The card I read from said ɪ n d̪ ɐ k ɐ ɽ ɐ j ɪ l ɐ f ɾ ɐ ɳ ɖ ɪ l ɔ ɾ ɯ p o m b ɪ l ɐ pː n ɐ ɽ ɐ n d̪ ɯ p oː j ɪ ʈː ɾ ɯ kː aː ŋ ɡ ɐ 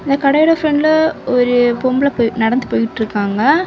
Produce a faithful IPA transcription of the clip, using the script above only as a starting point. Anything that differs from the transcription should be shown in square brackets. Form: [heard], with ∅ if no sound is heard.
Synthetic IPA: ɪ n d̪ ɐ k ɐ ɽ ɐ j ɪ [ɽ] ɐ f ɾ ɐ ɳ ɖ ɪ l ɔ ɾ ɯ p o m b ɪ l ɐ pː n ɐ ɽ ɐ n d̪ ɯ p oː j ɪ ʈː ɾ ɯ kː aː ŋ ɡ ɐ